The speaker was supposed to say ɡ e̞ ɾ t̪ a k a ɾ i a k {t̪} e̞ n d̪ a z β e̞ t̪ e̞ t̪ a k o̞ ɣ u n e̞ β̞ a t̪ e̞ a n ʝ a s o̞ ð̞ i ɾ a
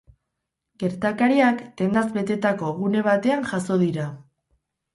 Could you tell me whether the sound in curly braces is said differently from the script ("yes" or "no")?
no